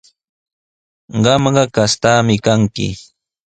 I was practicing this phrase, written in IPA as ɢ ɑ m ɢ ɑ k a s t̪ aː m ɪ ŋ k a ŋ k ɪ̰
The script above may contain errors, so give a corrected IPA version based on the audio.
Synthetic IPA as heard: ɢ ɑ m ɢ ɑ k a s t̪ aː m ɪ k a ŋ k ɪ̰